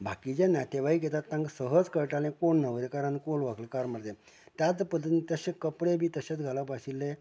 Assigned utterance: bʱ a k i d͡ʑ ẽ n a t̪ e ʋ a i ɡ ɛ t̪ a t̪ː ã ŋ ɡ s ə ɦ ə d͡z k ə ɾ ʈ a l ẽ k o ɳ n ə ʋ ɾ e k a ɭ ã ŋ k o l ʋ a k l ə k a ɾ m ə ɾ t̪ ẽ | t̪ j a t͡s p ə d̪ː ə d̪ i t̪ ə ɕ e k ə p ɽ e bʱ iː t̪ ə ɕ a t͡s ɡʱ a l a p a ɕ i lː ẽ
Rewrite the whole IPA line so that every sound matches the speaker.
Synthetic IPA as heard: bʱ a k i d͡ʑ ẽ n a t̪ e ʋ a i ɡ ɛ t̪ a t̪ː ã ŋ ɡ s ə ɦ ə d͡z k ə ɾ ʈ a l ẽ k o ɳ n ə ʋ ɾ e k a ɾ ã n k o l ʋ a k l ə k a ɾ m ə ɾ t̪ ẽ | t̪ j a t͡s p ə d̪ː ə t̪ i t̪ ə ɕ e k ə p ɽ e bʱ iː t̪ ə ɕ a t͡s ɡʱ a l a p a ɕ i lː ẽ